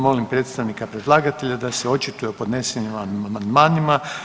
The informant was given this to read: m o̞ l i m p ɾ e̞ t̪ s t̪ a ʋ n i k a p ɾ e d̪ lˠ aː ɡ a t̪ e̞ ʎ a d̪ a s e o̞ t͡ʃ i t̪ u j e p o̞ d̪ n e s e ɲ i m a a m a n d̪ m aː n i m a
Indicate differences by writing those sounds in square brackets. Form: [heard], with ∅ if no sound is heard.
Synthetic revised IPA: m o̞ l i m p ɾ e̞ t̪ s t̪ a ʋ n i k a p ɾ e d̪ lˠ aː ɡ a t̪ e̞ ʎ a d̪ a s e o̞ t͡ʃ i t̪ u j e p o̞ d̪ n e s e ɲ i m a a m a n d̪ m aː n i m a